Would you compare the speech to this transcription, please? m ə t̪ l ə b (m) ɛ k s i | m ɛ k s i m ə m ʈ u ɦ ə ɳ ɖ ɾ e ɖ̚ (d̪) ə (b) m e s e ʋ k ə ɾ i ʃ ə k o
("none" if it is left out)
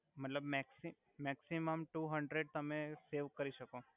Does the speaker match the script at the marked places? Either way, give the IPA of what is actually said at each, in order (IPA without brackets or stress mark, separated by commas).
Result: m, t̪, none